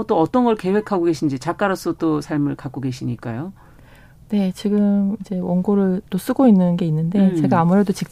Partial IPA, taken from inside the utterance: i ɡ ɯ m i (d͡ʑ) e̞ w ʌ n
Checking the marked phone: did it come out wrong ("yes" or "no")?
no